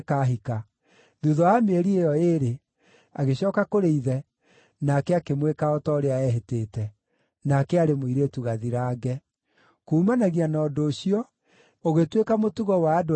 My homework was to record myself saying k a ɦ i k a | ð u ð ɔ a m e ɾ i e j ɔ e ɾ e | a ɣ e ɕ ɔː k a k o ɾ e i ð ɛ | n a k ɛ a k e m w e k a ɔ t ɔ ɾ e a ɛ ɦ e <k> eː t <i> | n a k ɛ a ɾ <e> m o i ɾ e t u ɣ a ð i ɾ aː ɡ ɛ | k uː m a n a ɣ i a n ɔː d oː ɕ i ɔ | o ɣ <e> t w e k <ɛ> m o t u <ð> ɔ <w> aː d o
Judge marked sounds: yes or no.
no, no, yes, yes, no, no, yes

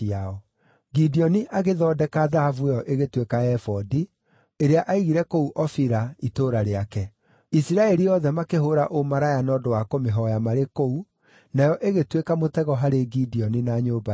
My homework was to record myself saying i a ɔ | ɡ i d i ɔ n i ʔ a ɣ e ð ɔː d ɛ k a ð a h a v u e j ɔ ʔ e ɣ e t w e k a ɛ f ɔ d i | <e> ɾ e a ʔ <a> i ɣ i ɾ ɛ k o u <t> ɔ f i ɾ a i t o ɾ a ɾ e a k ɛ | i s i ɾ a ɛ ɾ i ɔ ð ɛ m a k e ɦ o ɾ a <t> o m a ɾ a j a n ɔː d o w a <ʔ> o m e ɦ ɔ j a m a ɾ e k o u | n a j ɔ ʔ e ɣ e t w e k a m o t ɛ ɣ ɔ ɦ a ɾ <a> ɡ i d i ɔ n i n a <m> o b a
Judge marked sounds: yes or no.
yes, yes, no, no, no, no, no

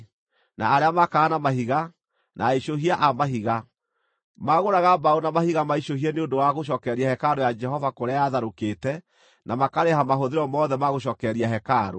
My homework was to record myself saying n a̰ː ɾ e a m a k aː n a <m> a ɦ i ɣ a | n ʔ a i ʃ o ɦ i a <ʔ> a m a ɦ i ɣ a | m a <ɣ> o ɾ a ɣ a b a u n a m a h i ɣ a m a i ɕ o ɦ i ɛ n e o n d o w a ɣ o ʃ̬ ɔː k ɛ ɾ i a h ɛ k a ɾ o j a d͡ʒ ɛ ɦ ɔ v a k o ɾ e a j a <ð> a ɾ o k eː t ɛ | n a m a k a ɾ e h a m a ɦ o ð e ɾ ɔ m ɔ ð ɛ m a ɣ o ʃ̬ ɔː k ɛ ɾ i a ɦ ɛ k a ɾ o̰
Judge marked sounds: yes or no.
yes, yes, yes, yes

